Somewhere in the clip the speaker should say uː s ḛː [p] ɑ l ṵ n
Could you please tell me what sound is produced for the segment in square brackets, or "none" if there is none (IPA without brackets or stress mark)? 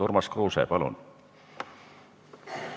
p